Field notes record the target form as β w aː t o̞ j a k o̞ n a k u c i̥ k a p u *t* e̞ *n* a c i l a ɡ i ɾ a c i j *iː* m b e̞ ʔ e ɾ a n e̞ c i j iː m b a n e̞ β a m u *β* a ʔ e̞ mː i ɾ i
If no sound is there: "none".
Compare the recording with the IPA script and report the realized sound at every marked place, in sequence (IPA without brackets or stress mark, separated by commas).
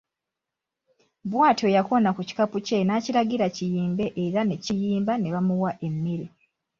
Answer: c, n, iː, w